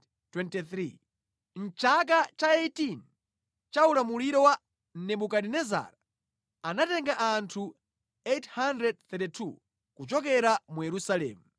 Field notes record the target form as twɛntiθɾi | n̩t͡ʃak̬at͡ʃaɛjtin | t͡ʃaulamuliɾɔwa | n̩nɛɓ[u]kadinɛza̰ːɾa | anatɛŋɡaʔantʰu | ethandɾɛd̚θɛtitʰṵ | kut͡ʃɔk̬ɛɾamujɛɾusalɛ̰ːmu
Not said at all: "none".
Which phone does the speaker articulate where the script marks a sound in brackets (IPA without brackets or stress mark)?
u